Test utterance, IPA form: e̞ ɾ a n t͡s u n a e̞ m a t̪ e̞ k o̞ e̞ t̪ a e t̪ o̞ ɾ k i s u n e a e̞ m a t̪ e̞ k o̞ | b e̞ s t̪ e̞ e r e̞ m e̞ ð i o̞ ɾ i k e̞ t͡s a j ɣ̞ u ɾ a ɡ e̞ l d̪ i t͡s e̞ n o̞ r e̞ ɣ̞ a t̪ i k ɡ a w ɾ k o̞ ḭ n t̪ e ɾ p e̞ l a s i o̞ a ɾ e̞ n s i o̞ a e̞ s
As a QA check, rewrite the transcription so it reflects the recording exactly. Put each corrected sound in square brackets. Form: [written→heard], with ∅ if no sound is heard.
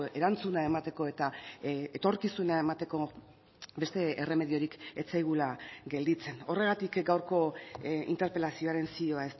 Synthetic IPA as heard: e̞ ɾ a n t͡s u n a e̞ m a t̪ e̞ k o̞ e̞ t̪ a e t̪ o̞ ɾ k i s u n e a e̞ m a t̪ e̞ k o̞ | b e̞ s t̪ e̞ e r e̞ m e̞ ð i o̞ ɾ i k e̞ t͡s a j ɣ̞ u [ɾ→l] a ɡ e̞ l d̪ i t͡s e̞ n o̞ r e̞ ɣ̞ a t̪ i k ɡ a w ɾ k o̞ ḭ n t̪ e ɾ p e̞ l a s i o̞ a ɾ e̞ n s i o̞ a e̞ s